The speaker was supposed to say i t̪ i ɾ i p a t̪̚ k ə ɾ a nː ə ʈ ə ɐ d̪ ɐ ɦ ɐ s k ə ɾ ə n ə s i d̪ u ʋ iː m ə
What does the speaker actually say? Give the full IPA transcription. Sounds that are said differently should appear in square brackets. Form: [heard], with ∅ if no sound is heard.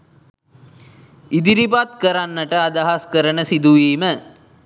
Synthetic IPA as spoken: i [d̪] i ɾ i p a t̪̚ k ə ɾ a nː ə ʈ ə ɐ d̪ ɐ ɦ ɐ s k ə ɾ ə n ə s i d̪ u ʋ iː m ə